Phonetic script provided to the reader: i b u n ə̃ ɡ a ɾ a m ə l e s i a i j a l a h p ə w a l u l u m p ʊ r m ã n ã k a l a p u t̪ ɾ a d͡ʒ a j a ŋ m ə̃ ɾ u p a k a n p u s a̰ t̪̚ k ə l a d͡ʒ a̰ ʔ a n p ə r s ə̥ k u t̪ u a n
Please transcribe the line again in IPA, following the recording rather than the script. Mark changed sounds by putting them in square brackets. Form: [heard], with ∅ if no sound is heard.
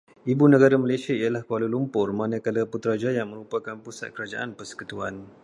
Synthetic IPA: i b u n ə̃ ɡ a ɾ a m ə l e s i a i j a l a h [k] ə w a l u l u m p ʊ r m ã n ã k a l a p u t̪ ɾ a d͡ʒ a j a ŋ m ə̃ ɾ u p a k a n p u s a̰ t̪̚ k ə [ɾ] a d͡ʒ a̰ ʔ a n p ə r s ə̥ k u t̪ u a n